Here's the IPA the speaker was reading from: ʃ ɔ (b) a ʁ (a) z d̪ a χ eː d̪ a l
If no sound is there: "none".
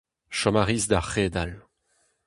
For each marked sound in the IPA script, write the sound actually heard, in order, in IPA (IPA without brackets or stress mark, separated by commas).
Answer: m, i